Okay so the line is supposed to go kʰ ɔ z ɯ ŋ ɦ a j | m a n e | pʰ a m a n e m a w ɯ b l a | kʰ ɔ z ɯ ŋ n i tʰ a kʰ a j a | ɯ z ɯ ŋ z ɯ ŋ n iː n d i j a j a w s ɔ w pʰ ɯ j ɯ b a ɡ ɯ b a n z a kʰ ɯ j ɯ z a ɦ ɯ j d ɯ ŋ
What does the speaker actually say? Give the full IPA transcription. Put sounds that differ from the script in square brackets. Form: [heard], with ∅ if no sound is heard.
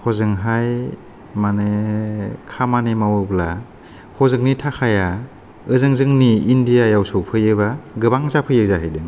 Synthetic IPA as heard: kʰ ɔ z ɯ ŋ ɦ a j | m a n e | [kʰ] a m a n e m a w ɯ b l a | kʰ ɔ z ɯ ŋ n i tʰ a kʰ a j a | ɯ z ɯ ŋ z ɯ ŋ n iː n d i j a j a w s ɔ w pʰ ɯ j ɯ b a ɡ ɯ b a [ŋ] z a [pʰ] ɯ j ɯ z a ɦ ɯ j d ɯ ŋ